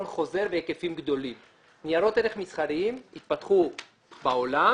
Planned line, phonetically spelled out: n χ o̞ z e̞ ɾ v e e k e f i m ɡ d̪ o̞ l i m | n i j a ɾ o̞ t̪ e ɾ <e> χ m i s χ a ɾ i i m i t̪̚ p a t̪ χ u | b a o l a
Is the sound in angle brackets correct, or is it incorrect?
correct